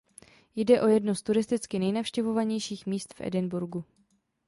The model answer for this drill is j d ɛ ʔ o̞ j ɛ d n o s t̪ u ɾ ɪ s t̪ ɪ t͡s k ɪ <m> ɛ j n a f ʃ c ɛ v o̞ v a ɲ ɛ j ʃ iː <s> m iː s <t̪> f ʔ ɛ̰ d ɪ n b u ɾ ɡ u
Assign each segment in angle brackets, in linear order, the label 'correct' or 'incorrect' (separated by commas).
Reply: incorrect, incorrect, correct